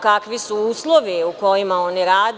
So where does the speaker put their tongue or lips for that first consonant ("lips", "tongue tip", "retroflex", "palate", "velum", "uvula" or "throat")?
velum